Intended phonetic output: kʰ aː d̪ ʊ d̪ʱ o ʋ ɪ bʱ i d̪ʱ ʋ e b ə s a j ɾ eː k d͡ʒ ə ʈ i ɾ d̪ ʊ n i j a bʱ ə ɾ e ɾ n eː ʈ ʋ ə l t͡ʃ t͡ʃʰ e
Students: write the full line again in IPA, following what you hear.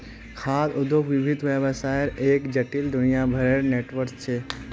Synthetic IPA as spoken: kʰ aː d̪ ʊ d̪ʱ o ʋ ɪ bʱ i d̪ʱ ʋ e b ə s a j ɾ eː k d͡ʒ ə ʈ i l d̪ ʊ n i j a bʱ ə ɾ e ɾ n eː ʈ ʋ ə ɾ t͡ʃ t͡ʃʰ e